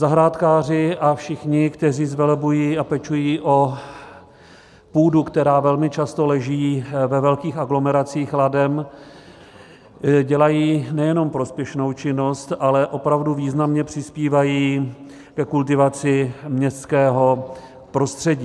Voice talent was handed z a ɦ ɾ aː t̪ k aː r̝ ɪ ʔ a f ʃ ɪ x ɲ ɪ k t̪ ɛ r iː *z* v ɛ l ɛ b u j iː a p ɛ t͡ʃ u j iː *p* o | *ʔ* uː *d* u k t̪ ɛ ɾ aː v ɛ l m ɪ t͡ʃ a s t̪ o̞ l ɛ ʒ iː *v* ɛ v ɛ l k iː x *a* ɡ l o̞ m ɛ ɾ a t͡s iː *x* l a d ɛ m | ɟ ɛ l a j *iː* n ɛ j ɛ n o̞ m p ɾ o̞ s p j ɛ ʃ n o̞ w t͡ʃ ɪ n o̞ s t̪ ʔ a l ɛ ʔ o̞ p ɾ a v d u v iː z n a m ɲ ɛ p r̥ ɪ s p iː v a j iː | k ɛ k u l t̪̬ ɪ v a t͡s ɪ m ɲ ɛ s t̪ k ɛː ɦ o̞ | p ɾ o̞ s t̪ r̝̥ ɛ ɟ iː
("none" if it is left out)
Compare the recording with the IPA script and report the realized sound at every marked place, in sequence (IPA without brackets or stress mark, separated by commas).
z, ʔ, p, d, v, a, x, iː